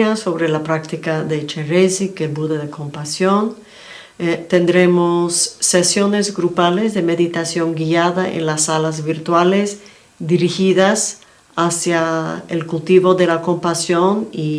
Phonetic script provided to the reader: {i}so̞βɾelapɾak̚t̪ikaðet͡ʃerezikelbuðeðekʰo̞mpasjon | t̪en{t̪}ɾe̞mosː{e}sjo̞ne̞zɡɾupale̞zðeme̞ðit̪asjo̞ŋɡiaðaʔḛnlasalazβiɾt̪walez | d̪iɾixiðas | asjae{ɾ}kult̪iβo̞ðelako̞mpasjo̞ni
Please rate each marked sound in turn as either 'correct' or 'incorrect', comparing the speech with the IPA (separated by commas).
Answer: incorrect, incorrect, correct, incorrect